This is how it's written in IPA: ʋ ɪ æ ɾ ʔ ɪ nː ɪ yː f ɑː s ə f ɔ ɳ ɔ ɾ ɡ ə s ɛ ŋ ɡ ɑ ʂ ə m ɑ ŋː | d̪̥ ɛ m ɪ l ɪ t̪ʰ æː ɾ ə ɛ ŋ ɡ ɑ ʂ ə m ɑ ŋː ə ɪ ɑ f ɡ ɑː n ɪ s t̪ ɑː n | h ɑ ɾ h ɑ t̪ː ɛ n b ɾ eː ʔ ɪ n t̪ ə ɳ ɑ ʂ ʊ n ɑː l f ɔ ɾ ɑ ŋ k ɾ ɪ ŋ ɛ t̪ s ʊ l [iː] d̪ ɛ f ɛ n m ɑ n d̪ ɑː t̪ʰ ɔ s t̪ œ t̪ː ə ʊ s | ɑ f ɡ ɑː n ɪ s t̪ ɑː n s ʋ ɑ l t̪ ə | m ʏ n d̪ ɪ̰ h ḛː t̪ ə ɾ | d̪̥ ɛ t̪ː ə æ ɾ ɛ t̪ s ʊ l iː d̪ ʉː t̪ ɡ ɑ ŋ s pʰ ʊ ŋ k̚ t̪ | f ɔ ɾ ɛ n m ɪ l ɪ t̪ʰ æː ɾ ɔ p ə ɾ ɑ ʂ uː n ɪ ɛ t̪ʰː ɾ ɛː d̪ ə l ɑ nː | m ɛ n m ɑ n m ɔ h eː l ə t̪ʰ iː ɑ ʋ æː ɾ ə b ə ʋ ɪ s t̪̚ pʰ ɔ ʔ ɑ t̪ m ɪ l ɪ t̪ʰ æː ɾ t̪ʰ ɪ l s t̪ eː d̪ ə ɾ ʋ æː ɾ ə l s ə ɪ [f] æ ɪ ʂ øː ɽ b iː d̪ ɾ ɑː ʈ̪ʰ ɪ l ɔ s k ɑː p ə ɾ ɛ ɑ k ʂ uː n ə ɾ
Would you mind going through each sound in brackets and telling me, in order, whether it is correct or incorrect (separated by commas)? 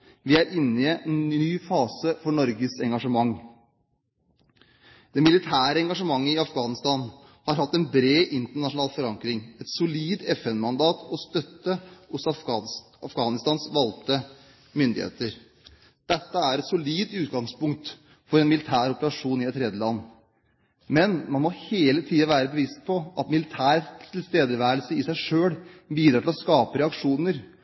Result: correct, incorrect